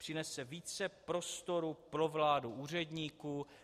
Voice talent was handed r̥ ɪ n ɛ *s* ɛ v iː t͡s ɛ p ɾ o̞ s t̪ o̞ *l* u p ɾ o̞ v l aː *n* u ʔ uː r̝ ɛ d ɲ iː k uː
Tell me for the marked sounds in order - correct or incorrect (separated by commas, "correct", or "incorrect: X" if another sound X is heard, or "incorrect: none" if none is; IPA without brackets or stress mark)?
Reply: correct, incorrect: ɾ, incorrect: d